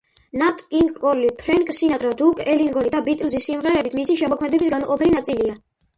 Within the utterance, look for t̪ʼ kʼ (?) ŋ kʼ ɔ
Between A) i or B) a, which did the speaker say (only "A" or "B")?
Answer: A